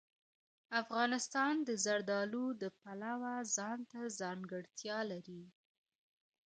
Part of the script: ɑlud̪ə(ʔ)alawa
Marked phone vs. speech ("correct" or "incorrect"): incorrect